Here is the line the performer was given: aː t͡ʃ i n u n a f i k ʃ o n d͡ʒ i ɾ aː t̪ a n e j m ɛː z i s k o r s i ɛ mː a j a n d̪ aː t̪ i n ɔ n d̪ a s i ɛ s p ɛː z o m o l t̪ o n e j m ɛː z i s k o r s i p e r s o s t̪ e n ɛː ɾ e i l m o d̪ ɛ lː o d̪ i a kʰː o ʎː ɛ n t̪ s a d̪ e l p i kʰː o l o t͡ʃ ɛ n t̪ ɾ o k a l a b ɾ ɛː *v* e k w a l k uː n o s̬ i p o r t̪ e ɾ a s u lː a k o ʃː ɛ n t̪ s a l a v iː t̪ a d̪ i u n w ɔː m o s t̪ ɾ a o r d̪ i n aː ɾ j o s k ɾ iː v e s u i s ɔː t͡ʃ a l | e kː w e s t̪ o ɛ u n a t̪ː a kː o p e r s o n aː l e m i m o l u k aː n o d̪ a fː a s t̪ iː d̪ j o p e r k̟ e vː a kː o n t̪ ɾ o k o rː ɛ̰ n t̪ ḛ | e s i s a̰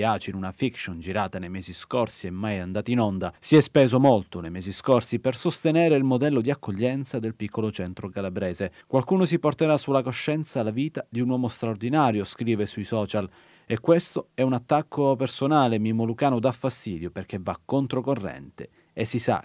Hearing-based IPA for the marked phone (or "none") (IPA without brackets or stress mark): z